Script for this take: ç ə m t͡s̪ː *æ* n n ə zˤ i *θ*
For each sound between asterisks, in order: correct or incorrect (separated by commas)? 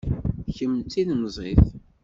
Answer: incorrect, correct